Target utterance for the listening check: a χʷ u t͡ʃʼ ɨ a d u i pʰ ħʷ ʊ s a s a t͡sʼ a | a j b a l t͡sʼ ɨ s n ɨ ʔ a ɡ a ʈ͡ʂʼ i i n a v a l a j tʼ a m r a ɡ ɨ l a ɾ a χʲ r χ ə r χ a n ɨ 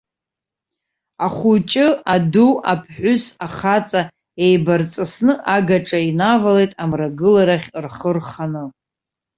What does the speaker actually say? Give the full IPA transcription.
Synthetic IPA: a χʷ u t͡ʃʼ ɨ a d u a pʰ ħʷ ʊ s a χ a t͡sʼ a | e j b a r t͡sʼ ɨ s n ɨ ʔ a ɡ a ʈ͡ʂʼ a i n a v a l e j tʼ a m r a ɡ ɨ l a ɾ a χʲ r χ ə r χ a n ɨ